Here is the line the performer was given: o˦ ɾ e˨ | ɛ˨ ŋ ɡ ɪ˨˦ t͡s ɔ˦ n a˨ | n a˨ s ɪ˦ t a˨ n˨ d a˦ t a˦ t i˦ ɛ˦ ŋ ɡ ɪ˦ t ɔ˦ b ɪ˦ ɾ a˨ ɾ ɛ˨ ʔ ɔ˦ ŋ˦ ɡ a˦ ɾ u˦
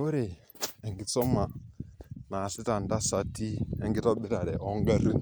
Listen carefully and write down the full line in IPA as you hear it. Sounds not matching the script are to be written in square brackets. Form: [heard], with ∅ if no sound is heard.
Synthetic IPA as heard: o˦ ɾ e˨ | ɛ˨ ŋ ɡ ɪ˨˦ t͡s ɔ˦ [m] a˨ | n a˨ s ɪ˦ t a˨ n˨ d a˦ [s] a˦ t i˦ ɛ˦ ŋ ɡ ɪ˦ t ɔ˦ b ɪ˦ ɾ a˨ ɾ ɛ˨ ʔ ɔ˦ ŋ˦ ɡ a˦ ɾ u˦